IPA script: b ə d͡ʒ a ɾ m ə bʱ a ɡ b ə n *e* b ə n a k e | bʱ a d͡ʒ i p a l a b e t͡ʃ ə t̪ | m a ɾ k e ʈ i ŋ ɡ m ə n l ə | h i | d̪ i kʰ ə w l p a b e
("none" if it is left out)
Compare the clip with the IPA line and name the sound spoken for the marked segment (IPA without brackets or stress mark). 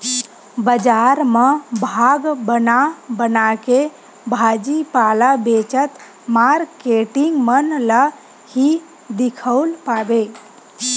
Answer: a